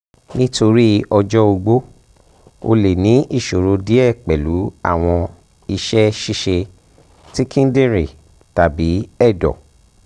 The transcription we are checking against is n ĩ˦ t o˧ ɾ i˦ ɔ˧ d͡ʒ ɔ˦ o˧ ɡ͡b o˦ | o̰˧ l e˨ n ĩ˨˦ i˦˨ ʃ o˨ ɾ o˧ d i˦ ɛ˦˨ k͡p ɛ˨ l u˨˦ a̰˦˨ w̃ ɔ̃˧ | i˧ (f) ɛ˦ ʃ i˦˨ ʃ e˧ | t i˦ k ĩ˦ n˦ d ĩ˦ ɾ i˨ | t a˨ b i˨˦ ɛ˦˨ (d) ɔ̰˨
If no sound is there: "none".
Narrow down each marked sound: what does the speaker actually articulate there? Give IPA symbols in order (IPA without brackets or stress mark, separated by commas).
ʃ, d